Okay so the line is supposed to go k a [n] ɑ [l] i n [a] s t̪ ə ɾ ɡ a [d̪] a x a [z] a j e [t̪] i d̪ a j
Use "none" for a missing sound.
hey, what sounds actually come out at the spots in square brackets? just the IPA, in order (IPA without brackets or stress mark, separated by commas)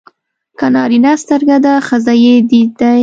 n, ɾ, a, d̪, z, d̪